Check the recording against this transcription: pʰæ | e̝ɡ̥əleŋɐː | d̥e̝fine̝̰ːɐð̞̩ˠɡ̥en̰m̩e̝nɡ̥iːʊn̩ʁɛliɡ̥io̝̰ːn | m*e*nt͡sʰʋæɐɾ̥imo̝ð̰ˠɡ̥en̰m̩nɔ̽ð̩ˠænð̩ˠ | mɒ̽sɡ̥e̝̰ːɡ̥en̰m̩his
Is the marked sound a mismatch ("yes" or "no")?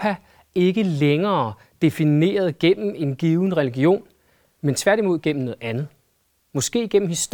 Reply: no